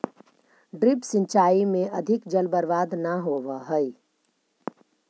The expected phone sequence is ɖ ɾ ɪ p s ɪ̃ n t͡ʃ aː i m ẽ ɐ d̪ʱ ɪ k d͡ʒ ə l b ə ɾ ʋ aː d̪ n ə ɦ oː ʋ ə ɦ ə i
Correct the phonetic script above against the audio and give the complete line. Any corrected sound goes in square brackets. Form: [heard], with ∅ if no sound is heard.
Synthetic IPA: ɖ ɾ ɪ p s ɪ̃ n t͡ʃ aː i m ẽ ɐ d̪ʱ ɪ k d͡ʒ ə l b ə ɾ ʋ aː d̪ n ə ɦ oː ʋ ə ɦ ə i